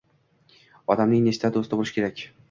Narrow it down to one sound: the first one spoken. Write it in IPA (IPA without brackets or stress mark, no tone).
ɒ